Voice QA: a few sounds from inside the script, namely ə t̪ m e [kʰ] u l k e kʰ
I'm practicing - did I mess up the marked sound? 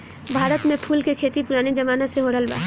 yes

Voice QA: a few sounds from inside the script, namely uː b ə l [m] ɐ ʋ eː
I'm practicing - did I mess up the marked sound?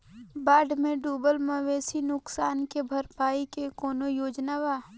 no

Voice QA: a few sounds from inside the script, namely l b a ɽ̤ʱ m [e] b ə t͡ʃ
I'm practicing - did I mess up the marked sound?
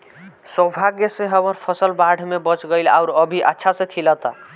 no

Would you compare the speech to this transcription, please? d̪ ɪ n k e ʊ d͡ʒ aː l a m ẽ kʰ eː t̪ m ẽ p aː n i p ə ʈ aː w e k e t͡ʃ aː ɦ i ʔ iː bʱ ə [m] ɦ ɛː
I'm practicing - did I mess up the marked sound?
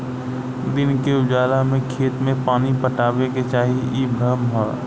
no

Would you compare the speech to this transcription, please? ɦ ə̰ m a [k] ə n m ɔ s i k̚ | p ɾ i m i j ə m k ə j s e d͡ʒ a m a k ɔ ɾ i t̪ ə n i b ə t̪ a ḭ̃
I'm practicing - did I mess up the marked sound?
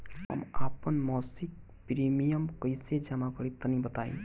yes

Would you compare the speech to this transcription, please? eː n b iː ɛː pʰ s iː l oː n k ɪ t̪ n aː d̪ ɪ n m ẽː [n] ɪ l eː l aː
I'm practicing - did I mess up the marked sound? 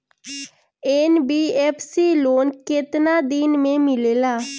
yes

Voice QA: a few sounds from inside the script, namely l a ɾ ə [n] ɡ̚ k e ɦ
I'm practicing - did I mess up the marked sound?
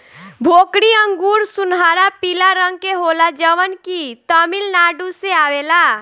yes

